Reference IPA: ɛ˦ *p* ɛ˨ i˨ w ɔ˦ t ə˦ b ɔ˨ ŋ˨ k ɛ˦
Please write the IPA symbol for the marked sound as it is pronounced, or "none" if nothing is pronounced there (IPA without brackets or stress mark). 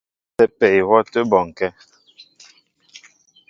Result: p